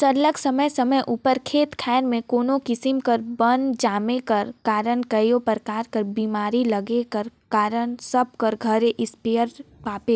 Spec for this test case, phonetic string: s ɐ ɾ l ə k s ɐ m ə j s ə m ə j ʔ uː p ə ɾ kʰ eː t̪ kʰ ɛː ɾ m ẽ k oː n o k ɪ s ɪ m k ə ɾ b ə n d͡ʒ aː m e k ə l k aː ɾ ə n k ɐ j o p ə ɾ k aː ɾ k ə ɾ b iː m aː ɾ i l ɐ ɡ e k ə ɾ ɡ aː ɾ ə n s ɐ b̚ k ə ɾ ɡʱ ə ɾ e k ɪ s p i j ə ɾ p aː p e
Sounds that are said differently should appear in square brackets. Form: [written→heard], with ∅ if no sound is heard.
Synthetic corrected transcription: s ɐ ɾ l ə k s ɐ m ə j s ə m ə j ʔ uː p ə ɾ kʰ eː t̪ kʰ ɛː ɾ m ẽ k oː n o k ɪ s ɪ m k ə ɾ b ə n d͡ʒ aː m e k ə [l→ɾ] k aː ɾ ə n k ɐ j o p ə ɾ k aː ɾ k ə ɾ b iː m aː ɾ i l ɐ ɡ e k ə ɾ [ɡ→k] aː ɾ ə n s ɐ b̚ k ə ɾ ɡʱ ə ɾ e [k→ʔ] ɪ s p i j ə ɾ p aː p e

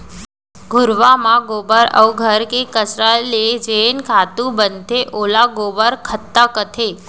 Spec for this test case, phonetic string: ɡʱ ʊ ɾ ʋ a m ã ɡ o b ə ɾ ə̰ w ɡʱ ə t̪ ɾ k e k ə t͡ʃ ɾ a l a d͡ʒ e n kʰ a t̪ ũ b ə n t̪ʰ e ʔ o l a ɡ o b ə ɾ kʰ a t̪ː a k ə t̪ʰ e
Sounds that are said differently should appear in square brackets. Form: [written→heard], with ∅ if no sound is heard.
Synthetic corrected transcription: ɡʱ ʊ ɾ ʋ a m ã ɡ o b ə ɾ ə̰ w ɡʱ ə [t̪→∅] ɾ k e k ə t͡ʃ ɾ a l [a→e] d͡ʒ e n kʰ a t̪ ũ b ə n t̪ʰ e ʔ o l a ɡ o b ə ɾ kʰ [a→ə] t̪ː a k ə t̪ʰ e

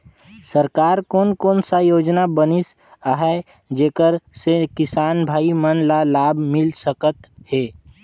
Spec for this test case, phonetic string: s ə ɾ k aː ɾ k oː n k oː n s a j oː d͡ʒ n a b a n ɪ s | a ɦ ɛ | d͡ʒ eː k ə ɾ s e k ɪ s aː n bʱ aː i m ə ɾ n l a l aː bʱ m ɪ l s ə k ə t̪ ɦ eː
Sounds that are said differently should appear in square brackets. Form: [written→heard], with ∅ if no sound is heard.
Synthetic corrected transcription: s ə ɾ k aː ɾ k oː n k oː n s a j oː d͡ʒ n a b [a→ə] n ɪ s | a ɦ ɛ | d͡ʒ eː k ə ɾ s e k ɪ s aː n bʱ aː i m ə [ɾ→∅] n l a l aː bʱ m ɪ l s ə k ə t̪ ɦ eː

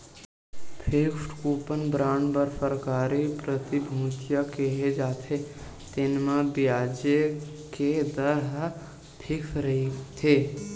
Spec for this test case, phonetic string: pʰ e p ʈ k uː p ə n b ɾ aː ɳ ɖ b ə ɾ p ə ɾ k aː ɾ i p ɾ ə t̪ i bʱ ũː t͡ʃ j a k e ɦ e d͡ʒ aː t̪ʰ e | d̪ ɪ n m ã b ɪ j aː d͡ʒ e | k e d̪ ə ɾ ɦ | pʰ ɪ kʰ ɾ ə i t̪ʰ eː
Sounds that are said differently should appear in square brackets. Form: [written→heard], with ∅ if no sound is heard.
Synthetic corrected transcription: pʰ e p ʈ k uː p ə n b ɾ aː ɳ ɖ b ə ɾ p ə ɾ k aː ɾ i p ɾ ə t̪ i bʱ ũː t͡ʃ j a k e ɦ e d͡ʒ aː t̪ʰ e | [d̪→t̪] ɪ n m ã b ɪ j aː d͡ʒ e | k e d̪ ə ɾ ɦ | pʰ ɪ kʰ ɾ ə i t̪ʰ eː

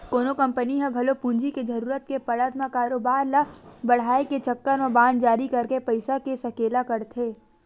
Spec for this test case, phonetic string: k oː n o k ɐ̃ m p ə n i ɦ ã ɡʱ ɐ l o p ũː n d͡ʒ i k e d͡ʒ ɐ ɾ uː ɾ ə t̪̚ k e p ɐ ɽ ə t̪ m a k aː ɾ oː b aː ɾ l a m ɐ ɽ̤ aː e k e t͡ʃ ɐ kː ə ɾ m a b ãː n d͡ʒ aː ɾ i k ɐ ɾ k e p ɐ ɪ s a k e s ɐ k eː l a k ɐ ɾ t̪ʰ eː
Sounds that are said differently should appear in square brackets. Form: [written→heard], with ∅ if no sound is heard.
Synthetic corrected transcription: k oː n o k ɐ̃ m p ə n i ɦ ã ɡʱ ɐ l o p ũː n d͡ʒ i k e d͡ʒ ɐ ɾ uː ɾ ə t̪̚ k e p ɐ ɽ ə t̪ m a k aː ɾ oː b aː ɾ l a [m→b] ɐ ɽ̤ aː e k e t͡ʃ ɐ kː ə ɾ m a b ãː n d͡ʒ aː ɾ i k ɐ ɾ k e p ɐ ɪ s a k e s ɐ k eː l a k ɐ ɾ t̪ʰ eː

